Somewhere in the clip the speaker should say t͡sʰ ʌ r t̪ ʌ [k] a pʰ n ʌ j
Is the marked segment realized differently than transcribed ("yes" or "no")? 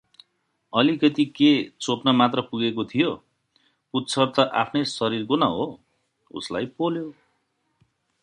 yes